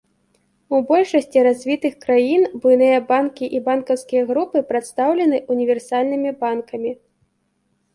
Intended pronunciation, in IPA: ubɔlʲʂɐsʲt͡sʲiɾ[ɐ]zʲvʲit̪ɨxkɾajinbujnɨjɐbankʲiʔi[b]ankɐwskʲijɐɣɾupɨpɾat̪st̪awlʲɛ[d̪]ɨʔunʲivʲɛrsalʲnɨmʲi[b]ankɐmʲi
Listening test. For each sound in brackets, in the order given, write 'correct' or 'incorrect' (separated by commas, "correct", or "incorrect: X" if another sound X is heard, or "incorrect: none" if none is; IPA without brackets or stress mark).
incorrect: a, correct, incorrect: n̪, correct